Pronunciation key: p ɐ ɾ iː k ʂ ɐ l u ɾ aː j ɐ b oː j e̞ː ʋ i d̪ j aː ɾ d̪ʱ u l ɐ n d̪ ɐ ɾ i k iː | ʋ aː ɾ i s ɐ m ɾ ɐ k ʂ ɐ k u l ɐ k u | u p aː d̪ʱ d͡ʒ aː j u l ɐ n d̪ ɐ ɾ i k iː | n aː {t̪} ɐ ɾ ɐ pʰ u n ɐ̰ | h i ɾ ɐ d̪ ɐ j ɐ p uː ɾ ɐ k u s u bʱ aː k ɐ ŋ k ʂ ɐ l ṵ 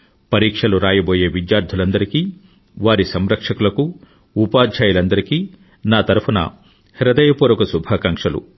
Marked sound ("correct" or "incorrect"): correct